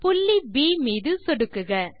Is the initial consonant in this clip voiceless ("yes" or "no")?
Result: yes